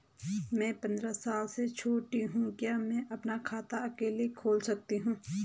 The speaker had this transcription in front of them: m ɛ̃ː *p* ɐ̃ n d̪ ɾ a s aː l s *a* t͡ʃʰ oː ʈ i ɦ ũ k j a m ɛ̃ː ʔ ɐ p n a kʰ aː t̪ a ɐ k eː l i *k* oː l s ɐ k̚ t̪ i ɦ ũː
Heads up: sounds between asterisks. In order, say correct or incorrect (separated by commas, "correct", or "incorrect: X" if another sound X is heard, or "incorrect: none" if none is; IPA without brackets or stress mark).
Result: correct, incorrect: e, incorrect: kʰ